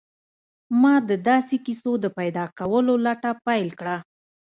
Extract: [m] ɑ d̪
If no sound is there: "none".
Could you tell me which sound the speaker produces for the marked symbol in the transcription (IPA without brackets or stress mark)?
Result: m